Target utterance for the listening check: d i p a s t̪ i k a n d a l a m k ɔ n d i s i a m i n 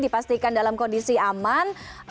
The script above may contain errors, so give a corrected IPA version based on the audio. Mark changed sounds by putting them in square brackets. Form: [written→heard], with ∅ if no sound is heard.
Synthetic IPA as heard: d i p a s t̪ i k a n d a l a m k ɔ n d i s i a m [i→a] n